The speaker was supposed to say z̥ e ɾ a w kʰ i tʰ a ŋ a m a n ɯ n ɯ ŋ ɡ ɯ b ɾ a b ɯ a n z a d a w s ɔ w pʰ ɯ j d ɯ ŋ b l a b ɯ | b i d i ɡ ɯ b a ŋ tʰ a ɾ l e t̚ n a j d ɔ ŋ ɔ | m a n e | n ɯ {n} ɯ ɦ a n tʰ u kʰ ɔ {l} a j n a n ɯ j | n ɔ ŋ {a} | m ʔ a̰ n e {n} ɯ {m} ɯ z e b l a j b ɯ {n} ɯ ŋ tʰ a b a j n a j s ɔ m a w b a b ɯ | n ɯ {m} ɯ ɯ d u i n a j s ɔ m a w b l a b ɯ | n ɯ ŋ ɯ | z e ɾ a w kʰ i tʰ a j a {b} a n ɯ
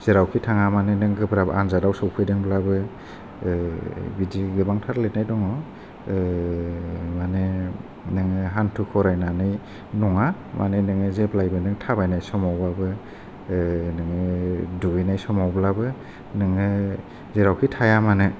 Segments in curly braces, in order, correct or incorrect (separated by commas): incorrect, incorrect, correct, correct, incorrect, correct, incorrect, incorrect